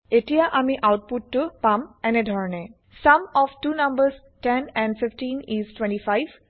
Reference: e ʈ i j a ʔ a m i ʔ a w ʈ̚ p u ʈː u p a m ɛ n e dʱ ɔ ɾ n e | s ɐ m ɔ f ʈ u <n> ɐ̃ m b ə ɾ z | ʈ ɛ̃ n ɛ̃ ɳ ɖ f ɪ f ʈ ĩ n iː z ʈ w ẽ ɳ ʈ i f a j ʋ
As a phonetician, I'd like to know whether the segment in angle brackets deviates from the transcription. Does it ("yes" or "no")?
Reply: no